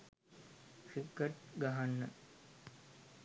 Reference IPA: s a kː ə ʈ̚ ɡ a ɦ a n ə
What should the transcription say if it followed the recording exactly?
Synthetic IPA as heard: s i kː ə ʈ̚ ɡ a ɦ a nː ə